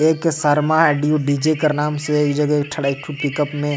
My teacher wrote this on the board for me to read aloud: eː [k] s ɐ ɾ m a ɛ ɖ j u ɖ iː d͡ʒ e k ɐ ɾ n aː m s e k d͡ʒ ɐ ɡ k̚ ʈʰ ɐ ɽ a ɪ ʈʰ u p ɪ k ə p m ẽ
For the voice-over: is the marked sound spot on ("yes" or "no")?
yes